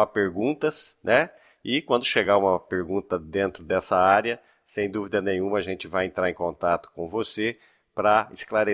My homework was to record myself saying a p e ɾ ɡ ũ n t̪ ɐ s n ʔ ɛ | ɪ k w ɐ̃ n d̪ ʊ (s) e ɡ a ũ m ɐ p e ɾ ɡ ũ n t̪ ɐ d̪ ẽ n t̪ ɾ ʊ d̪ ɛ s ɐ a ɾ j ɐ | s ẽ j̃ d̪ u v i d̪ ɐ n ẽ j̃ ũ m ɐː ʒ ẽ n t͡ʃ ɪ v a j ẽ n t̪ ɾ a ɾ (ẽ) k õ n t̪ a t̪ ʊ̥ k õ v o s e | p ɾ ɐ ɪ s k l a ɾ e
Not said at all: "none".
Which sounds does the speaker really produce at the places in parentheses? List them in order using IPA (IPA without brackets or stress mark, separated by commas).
ʃ, ẽ